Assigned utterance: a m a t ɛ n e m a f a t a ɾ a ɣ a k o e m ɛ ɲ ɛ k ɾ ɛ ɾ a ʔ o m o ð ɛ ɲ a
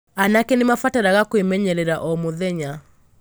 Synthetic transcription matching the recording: a n a k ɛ n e m a f a t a ɾ a ɣ a k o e m ɛ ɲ ɛ ɾ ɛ ɾ a ʔ ɔ m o ð ɛ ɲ a